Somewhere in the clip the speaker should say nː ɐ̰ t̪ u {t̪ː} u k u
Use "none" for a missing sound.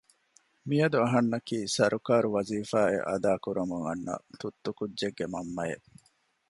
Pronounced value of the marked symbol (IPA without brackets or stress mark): t̪ː